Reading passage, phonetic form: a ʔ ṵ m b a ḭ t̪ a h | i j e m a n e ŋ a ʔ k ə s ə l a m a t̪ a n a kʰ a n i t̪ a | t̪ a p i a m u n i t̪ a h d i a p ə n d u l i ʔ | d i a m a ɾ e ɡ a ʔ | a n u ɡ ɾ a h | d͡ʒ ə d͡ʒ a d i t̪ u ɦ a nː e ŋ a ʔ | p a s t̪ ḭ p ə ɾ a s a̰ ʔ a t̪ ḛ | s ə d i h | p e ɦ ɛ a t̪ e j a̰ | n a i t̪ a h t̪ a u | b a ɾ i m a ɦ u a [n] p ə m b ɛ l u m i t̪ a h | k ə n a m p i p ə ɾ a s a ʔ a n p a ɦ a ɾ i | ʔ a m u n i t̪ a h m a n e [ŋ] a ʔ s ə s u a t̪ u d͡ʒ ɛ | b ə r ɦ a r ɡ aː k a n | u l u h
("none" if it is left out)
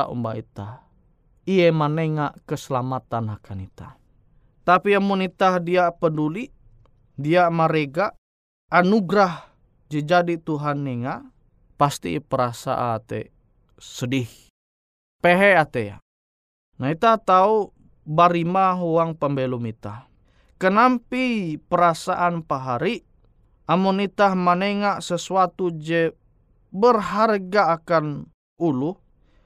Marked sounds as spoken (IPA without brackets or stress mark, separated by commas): ŋ, ŋ